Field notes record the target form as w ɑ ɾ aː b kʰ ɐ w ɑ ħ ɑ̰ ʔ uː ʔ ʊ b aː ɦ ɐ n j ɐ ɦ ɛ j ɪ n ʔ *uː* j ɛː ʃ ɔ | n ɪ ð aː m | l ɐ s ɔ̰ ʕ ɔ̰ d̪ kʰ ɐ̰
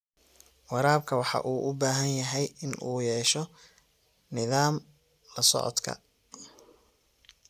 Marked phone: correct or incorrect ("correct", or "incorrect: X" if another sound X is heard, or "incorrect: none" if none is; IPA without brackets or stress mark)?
correct